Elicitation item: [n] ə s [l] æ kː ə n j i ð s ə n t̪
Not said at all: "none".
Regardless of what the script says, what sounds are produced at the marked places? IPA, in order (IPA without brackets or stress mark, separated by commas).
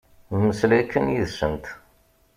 m, l